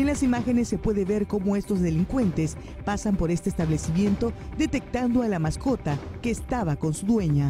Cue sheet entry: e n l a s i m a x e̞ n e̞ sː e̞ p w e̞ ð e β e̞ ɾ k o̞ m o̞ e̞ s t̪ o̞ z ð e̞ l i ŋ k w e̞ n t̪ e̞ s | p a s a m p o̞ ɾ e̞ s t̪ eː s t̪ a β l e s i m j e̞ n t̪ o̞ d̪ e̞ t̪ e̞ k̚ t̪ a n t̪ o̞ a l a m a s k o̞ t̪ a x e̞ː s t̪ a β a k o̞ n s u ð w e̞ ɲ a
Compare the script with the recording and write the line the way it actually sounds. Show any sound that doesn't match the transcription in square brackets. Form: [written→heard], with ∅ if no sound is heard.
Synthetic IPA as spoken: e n l a s i m a x e̞ n e̞ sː e̞ p w e̞ ð e β e̞ ɾ k o̞ m o̞ e̞ s t̪ o̞ z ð e̞ l i ŋ k w e̞ n t̪ e̞ s | p a s a m p o̞ ɾ e̞ s t̪ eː s t̪ a β l e s i m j e̞ n t̪ o̞ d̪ e̞ t̪ e̞ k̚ t̪ a n [t̪→d̪] o̞ a l a m a s k o̞ t̪ a [x→k] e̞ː s t̪ a β a k o̞ n s u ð w e̞ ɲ a